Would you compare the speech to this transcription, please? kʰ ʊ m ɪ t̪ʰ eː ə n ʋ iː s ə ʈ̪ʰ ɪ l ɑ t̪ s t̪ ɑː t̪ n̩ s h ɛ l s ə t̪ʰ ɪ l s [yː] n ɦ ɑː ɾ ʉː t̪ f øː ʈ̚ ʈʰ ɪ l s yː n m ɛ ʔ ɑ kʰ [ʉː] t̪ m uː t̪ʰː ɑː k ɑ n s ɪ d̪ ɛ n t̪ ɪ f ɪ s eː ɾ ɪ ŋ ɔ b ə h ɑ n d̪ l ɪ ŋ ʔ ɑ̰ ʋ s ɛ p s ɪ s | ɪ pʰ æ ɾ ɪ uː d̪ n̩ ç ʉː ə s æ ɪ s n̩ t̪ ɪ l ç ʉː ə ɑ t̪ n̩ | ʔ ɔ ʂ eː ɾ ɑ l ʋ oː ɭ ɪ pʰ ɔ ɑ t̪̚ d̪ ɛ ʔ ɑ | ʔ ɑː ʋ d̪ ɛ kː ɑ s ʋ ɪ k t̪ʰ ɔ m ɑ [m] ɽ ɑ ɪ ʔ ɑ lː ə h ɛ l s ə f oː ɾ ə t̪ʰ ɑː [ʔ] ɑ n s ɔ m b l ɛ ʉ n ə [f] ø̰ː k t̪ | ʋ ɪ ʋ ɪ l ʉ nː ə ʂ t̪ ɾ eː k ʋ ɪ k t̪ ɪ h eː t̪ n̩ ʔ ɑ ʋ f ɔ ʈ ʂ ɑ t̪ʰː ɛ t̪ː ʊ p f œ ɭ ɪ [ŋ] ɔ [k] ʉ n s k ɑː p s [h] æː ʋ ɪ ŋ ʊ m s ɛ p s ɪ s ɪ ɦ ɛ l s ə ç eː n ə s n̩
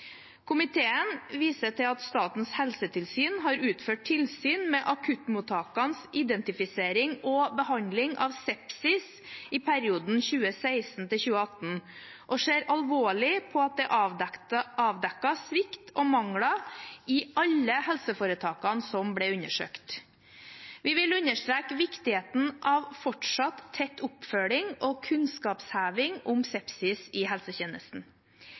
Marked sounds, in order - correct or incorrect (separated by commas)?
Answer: correct, incorrect, incorrect, incorrect, incorrect, correct, incorrect, correct